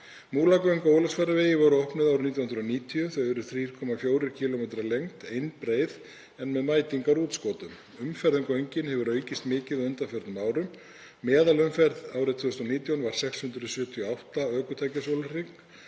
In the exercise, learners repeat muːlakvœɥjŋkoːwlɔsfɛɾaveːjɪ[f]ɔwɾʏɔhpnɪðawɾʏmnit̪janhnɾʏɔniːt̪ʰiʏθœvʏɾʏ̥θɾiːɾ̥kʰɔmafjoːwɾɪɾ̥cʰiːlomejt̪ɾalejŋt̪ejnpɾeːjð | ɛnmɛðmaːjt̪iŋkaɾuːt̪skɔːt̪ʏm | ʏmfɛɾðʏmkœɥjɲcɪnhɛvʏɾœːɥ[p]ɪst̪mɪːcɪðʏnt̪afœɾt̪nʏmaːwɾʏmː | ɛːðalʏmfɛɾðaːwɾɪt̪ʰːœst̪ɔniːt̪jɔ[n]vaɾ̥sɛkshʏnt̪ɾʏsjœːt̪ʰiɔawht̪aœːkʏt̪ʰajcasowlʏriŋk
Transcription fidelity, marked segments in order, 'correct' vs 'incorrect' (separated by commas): incorrect, incorrect, correct